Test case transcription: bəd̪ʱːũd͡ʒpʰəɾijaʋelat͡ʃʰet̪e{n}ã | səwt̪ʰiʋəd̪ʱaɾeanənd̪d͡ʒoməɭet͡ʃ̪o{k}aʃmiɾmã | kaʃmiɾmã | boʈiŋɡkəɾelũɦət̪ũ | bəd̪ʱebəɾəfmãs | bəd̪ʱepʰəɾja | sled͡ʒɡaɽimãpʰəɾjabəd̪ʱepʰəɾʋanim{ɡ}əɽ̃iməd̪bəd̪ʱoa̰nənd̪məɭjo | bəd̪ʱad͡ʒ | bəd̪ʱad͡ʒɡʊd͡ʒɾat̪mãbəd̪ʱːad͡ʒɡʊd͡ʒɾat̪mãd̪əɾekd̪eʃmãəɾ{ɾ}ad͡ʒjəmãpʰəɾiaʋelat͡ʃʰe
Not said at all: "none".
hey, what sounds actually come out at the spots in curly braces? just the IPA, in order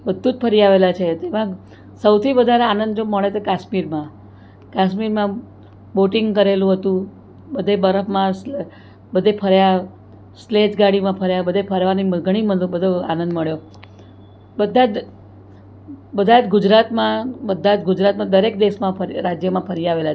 m, k, ɡ, ɾ

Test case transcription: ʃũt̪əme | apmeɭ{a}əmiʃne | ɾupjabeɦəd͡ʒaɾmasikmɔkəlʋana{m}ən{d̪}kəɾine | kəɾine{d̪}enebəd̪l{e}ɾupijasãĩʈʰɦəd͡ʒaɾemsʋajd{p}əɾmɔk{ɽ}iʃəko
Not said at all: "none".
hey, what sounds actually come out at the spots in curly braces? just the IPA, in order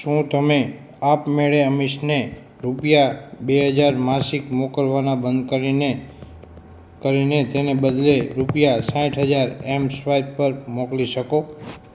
e, b, d̪, t̪, e, p, l

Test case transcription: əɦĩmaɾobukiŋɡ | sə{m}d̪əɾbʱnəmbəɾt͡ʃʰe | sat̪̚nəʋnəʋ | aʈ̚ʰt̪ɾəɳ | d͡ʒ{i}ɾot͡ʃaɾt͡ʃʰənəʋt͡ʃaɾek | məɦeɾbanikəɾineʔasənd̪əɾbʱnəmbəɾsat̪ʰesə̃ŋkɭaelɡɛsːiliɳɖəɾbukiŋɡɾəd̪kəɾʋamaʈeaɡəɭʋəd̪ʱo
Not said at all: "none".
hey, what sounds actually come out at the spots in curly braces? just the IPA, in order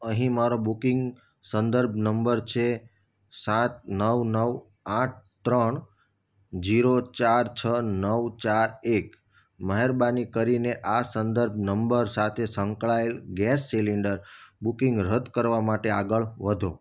n, i

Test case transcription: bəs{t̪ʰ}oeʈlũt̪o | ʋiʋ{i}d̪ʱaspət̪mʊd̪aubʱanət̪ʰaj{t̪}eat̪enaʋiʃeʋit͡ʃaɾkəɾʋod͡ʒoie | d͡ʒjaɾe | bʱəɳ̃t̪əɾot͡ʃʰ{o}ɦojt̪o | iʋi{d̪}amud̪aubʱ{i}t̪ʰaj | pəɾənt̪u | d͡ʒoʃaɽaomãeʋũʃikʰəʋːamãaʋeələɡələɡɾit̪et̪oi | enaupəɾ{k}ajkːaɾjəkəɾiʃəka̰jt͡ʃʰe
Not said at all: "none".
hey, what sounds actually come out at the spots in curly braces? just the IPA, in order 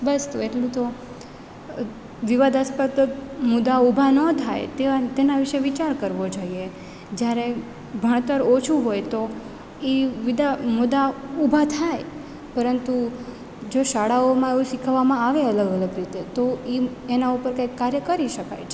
t̪, a, t̪, u, d̪, a, k

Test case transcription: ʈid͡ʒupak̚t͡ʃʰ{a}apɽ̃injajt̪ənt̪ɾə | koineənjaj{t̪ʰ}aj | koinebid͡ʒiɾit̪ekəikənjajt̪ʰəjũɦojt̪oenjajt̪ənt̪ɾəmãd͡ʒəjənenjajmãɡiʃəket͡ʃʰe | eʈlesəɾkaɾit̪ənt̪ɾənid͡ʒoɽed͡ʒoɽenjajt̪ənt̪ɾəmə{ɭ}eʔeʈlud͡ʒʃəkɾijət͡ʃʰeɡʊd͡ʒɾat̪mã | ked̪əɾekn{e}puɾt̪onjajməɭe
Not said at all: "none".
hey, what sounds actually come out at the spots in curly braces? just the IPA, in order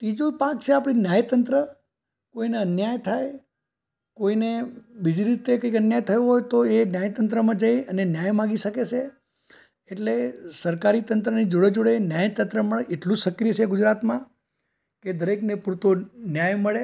e, t̪ʰ, ɭ, e

